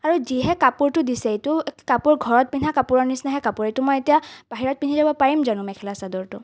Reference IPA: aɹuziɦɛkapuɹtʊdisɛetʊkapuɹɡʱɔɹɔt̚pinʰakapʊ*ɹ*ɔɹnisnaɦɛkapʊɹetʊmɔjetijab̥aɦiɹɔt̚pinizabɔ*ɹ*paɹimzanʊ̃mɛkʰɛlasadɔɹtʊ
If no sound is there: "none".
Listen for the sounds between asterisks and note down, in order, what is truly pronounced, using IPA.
ɹ, none

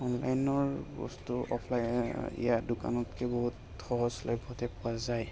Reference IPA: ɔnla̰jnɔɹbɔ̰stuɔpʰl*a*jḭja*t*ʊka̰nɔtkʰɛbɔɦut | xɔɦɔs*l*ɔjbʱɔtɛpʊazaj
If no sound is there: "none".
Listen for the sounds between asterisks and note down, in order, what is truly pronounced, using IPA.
a, d, l

